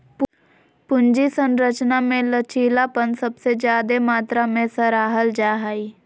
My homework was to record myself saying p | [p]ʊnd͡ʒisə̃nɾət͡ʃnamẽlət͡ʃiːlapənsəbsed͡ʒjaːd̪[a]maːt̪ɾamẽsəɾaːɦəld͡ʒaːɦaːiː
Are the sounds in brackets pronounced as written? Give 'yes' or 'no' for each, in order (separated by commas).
yes, no